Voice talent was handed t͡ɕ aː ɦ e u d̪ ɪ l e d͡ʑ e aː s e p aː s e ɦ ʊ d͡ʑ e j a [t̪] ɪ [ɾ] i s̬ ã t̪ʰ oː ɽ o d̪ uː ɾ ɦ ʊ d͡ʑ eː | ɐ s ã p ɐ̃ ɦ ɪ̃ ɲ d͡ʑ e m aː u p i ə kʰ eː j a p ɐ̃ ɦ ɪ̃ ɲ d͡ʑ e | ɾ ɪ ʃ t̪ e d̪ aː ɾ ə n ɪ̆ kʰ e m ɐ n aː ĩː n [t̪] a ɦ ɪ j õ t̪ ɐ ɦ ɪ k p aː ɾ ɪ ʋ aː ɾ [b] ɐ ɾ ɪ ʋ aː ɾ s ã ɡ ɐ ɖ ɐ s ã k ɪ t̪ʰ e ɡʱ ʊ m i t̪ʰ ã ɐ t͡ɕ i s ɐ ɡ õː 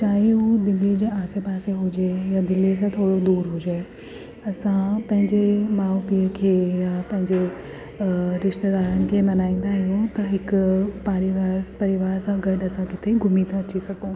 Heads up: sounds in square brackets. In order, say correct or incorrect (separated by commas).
incorrect, incorrect, incorrect, incorrect